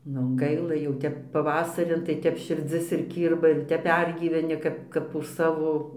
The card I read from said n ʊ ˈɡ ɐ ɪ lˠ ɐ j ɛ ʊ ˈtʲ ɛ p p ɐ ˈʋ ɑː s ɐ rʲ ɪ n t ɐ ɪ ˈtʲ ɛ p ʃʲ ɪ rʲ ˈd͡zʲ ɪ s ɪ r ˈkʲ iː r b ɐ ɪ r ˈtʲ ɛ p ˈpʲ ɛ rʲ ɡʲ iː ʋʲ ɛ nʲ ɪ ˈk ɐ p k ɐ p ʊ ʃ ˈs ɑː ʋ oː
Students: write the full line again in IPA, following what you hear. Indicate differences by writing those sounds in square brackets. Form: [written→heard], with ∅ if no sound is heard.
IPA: n ʊ ˈɡ ɐ ɪ lˠ ɐ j ɛ ʊ ˈtʲ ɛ p p ɐ ˈʋ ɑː s ɐ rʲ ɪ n t ɐ ɪ ˈtʲ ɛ p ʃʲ ɪ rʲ ˈd͡zʲ ɪ s ɪ r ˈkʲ iː r b ɐ ɪ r ˈtʲ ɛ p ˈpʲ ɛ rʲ ɡʲ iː ʋʲ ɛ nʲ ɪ ˈk ɐ p k ɐ p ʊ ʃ ˈs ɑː ʋ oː